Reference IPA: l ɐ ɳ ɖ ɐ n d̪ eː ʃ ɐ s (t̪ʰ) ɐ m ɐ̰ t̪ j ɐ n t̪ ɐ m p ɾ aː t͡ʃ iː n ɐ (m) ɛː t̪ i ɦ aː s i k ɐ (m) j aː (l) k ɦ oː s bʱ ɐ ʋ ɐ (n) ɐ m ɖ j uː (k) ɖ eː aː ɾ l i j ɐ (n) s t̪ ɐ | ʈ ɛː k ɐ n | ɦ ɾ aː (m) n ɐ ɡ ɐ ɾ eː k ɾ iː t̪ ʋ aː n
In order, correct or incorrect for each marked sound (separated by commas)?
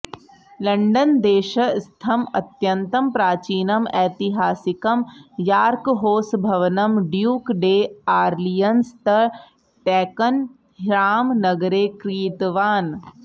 correct, correct, correct, incorrect, correct, correct, correct, correct